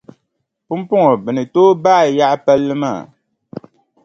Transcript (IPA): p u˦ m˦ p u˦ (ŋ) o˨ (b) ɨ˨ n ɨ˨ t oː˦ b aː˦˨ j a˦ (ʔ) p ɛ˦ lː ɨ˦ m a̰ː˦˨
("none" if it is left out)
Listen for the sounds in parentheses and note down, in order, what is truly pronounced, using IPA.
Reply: ŋ, b, ʔ

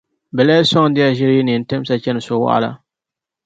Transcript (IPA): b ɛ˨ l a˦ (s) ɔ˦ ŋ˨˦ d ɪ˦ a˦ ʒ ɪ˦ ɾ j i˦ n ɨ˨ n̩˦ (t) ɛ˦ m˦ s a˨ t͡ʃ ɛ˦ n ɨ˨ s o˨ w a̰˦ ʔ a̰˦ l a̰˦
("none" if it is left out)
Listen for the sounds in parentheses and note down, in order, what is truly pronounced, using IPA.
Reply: s, t

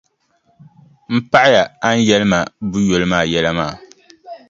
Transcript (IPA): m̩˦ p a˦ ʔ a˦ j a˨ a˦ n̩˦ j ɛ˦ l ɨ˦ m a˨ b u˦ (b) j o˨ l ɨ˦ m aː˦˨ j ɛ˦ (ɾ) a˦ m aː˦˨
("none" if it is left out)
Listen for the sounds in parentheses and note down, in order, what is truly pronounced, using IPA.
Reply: none, l

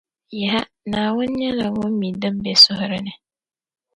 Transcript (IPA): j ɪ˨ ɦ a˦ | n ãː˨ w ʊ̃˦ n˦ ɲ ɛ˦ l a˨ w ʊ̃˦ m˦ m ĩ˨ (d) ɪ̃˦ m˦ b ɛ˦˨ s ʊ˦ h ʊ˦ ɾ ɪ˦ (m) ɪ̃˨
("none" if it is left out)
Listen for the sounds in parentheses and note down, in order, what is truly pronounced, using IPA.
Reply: d, n

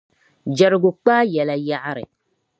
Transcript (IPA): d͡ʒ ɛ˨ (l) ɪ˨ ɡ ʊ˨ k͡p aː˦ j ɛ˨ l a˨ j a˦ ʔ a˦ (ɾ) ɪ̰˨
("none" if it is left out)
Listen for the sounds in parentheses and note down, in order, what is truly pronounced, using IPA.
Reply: ɾ, ɾ

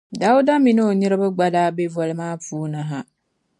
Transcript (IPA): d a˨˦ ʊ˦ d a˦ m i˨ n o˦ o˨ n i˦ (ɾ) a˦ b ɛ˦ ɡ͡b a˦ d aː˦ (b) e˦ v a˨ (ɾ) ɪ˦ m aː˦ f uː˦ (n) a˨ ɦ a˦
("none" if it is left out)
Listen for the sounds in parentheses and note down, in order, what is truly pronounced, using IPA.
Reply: ɾ, b, l, n

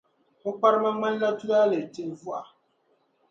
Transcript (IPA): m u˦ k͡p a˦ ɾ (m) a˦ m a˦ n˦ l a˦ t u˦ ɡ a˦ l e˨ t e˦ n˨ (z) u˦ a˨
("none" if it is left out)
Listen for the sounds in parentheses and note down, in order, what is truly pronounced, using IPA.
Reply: m, v

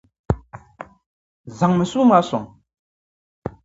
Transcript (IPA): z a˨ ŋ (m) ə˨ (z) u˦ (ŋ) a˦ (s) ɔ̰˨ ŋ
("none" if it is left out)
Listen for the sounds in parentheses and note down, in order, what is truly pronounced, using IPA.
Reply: m, s, m, s

